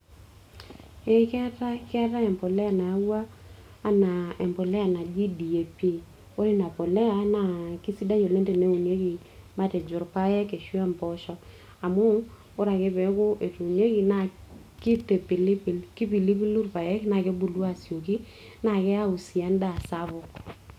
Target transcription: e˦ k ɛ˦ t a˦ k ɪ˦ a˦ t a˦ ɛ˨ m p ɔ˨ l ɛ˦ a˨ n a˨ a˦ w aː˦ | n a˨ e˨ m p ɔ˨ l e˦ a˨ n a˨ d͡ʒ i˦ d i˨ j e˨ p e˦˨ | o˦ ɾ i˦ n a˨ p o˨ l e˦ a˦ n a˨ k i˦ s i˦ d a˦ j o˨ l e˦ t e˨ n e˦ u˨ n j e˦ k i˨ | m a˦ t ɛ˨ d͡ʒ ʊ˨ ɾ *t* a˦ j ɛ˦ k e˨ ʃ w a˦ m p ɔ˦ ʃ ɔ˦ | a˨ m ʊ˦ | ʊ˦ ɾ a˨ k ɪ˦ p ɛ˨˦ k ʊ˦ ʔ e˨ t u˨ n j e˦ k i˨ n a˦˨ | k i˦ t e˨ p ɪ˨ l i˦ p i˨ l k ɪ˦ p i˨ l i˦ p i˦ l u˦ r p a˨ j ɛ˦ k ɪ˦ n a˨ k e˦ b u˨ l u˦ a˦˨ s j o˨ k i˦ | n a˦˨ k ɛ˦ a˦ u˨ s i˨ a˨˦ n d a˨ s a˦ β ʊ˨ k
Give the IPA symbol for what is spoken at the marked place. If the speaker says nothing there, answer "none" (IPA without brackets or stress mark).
p